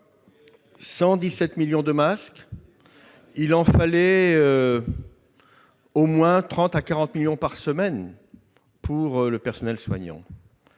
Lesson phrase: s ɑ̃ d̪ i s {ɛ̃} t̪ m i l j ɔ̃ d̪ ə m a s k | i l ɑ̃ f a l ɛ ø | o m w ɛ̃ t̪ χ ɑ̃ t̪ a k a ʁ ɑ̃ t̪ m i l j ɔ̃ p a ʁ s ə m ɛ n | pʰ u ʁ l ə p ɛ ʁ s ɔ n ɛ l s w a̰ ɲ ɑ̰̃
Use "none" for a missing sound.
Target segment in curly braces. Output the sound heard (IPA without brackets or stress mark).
ɛ